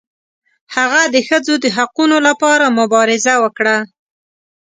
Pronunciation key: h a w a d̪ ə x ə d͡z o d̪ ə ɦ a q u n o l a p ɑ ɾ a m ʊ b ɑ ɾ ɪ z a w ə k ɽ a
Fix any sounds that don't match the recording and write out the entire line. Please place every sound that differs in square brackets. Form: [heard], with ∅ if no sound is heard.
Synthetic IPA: h a [ɣ] a d̪ ə x ə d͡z o d̪ ə ɦ a q u n o l a p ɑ ɾ a m ʊ b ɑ ɾ ɪ z a w ə k ɽ a